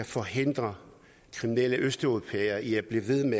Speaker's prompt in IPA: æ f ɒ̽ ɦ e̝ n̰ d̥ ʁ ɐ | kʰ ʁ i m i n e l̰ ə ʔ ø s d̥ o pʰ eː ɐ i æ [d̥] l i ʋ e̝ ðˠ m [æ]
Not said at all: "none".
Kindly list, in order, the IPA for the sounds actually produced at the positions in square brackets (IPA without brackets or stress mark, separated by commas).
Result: b̥, e